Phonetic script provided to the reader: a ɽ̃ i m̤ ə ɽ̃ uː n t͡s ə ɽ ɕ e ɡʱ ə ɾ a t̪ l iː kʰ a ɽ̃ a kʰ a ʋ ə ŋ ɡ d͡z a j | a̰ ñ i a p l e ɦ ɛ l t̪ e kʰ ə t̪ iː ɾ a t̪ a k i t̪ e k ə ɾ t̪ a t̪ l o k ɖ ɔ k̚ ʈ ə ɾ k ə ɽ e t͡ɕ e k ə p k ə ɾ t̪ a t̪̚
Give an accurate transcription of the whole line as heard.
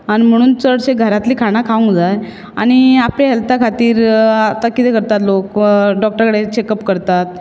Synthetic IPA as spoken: a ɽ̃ i m̤ ə ɽ̃ uː n t͡s ə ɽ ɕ e ɡʱ ə ɾ a t̪ l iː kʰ a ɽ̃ a kʰ a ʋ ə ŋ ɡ d͡z a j | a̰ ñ i a p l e ɦ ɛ l t̪ a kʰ a t̪ iː ɾ a t̪ a k i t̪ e k ə ɾ t̪ a t̪ l o k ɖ ɔ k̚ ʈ ə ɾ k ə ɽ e t͡ɕ e k ə p k ə ɾ t̪ a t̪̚

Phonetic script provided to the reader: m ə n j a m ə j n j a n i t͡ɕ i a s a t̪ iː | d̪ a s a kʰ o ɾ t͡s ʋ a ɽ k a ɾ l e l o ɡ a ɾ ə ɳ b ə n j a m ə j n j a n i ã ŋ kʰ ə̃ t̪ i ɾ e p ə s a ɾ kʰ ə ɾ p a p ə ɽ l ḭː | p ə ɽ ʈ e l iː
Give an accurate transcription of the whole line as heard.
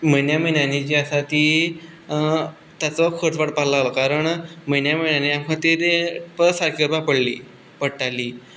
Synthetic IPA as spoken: m ə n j a m ə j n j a n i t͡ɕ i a s a t̪ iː | t̪ a t͡s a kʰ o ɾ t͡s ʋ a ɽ p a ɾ l a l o k a ɾ ə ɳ m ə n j a m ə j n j a n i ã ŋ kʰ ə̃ t̪ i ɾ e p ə s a ɾ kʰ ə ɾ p a p ə ɽ l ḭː | p ə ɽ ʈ a l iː

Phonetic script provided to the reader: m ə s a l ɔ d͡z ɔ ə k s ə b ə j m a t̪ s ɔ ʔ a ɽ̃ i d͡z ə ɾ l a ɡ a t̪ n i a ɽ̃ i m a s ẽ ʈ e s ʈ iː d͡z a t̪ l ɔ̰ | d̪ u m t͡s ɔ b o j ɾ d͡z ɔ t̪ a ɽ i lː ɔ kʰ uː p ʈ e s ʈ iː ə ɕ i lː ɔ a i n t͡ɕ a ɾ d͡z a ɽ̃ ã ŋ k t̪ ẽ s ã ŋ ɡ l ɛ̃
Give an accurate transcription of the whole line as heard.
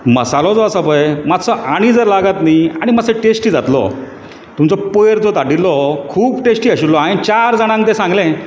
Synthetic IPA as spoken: m ə s a l ɔ d͡z ɔ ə s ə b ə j m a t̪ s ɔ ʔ a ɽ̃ i d͡z ə ɾ l a ɡ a t̪ n i a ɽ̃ i m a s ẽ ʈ e s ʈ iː d͡z a t̪ l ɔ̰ | t̪ u m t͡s ɔ p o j ɾ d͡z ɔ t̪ a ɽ i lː ɔ kʰ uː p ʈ e s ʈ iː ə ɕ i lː ɔ a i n t͡ɕ a ɾ d͡z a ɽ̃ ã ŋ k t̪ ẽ s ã ŋ ɡ l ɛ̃

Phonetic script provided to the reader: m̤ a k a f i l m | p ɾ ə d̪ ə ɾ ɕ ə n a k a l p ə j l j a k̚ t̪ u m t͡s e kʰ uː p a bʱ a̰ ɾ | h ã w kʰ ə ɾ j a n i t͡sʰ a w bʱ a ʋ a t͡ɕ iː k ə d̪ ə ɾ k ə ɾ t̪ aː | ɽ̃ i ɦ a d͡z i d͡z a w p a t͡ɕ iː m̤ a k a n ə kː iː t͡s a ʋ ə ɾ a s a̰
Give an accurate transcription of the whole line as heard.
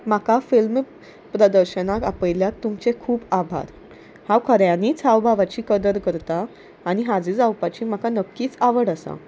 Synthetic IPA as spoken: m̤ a k a f i l m | p ɾ ə d̪ ə ɾ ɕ ə n a k a p ə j l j a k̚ t̪ u m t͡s e kʰ uː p a bʱ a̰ ɾ | h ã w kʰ ə ɾ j a n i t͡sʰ a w bʱ a ʋ a t͡ɕ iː k ə d̪ ə ɾ k ə ɾ t̪ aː | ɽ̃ i ɦ a d͡z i d͡z a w p a t͡ɕ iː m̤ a k a n ə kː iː t͡s a ʋ ə ɽ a s a̰

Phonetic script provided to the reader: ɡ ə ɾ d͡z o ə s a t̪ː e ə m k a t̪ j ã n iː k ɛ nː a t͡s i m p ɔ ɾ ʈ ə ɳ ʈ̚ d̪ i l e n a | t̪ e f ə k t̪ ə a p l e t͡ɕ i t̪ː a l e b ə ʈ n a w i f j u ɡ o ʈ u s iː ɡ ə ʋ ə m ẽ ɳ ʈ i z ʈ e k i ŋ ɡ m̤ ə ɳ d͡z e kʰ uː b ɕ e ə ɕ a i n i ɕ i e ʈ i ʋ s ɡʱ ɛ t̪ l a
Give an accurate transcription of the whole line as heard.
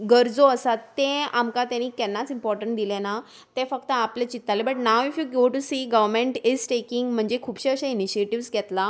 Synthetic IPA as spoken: ɡ ə ɾ d͡z o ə s a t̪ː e a m k a t̪ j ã n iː k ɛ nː a t͡s i m p ɔ ɾ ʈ ə ɳ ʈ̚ d̪ i l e n a | t̪ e f ə k t̪ ə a p l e t͡ɕ i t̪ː a l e b ə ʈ n a w i f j u ɡ o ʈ u s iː ɡ ə ʋ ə m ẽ ɳ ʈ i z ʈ e k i ŋ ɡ m̤ ə ɳ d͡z e kʰ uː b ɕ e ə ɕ a i n i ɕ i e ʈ i ʋ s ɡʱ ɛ t̪ l a

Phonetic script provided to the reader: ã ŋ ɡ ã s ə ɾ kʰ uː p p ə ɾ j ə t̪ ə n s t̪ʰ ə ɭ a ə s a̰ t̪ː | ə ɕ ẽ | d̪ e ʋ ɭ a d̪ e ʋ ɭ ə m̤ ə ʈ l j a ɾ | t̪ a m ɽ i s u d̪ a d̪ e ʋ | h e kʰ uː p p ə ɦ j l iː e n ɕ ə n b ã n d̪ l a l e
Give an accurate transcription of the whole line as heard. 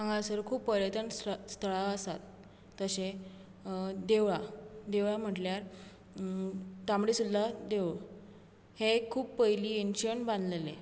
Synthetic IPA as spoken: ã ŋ ɡ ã s ə ɾ kʰ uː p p ə ɾ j ə t̪ ə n s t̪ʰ ə ɭ a ə s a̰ t̪ː | ə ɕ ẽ | d̪ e ʋ ɭ a d̪ e ʋ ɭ a m̤ ə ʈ l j a ɾ | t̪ a m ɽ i s u d̪ a d̪ e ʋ | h e kʰ uː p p ə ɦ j l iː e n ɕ ə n b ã n d̪ l e l e

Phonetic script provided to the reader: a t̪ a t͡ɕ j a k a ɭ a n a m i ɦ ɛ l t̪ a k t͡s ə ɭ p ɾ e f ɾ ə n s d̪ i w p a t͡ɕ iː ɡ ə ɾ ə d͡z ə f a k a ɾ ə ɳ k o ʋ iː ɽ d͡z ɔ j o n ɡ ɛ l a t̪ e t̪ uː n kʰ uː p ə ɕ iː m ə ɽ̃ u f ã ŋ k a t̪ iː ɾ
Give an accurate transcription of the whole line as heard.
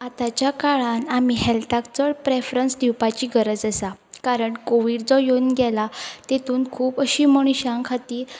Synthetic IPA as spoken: a t̪ a t͡ɕ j a k a ɭ a n a m i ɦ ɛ l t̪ a k t͡s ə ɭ p ɾ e f ɾ ə n s d̪ i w p a t͡ɕ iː ɡ ə ɾ ə d͡z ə s a k a ɾ ə ɳ k o ʋ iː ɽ d͡z ɔ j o n ɡ ɛ l a t̪ e t̪ uː n kʰ uː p ə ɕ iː m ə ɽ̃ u ɕ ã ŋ kʰ a t̪ iː ɾ

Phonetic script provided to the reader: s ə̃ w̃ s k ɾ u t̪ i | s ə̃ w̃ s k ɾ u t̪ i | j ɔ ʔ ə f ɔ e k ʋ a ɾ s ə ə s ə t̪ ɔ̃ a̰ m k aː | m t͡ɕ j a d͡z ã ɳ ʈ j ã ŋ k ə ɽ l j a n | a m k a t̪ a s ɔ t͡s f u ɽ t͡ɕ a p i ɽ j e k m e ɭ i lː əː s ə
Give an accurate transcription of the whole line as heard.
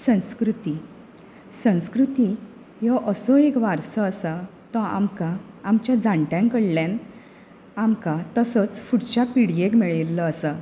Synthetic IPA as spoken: s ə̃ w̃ s k ɾ u t̪ i | s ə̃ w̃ s k ɾ u t̪ i | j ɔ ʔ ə s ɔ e k ʋ a ɾ s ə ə s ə t̪ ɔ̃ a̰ m k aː | m t͡ɕ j a d͡z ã ɳ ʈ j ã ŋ k ə ɽ l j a n | a m k a t̪ ə s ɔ t͡s f u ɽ t͡ɕ a p i ɽ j e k m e ɭ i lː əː s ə

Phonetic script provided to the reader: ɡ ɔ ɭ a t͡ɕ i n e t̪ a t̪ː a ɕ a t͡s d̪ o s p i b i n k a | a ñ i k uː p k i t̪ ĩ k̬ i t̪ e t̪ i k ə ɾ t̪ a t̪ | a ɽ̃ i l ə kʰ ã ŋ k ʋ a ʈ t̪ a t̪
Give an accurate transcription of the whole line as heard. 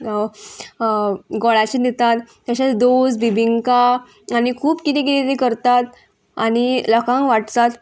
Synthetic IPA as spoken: ɡ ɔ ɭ a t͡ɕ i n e t̪ a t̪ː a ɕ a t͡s d̪ o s b i b i ŋ k a | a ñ i kʰ uː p k i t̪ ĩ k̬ i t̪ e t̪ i k ə ɾ t̪ a t̪ | a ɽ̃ i l ə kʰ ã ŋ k ʋ a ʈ t̪ a t̪

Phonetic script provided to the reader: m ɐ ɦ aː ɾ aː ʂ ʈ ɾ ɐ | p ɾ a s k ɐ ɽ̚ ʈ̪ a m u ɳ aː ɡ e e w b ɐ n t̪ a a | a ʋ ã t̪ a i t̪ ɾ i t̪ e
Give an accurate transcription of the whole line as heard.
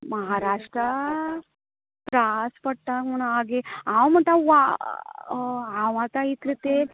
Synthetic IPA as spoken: m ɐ ɦ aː ɾ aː ʂ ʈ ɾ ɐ | p ɾ a s p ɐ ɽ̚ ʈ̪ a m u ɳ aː ɡ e a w m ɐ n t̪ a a | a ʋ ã t̪ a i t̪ ɾ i t̪ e

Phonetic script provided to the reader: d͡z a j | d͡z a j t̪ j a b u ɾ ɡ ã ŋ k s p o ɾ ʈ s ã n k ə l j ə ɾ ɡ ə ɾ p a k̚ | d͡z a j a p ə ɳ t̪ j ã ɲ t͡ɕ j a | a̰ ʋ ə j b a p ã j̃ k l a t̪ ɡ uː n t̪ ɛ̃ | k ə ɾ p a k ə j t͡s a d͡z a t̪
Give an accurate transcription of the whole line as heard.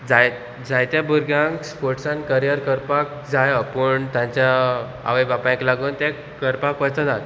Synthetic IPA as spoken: d͡z a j | d͡z a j t̪ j a b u ɾ ɡ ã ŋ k s p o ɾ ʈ s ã n k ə ɾ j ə ɾ k ə ɾ p a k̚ | d͡z a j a p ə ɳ t̪ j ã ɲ t͡ɕ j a | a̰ ʋ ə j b a p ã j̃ k l a ɡ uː n t̪ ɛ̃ | k ə ɾ p a k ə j t͡s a d͡z a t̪

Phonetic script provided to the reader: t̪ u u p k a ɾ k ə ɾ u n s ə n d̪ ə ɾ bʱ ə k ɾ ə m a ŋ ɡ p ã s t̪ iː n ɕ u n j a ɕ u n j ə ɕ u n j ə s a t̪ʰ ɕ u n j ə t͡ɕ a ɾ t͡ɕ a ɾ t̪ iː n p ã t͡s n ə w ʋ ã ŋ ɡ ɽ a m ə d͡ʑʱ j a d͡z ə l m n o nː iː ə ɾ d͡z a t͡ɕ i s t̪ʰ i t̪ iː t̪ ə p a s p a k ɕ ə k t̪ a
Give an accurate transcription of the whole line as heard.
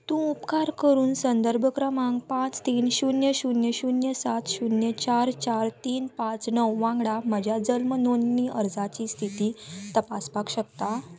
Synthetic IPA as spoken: t̪ ũ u p k a ɾ k ə ɾ uː n s ə n d̪ ə ɾ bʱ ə k ɾ ə m a ŋ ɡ p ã t͡s t̪ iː n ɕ u n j ə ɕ u n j ə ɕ u n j ə s a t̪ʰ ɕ u n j ə t͡ɕ a ɾ t͡ɕ a ɾ t̪ iː n p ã t͡s n ə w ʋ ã ŋ ɡ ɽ a m ə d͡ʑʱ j a d͡z ə l m n o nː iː ə ɾ d͡z a t͡ɕ i s t̪ʰ i t̪ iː t̪ ə p a s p a k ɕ ə k t̪ a

